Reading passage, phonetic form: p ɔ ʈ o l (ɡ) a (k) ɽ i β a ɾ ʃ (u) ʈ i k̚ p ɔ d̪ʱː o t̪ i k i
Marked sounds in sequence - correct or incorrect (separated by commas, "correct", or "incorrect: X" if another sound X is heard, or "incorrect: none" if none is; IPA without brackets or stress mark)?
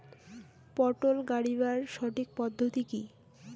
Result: correct, incorrect: none, incorrect: ɔ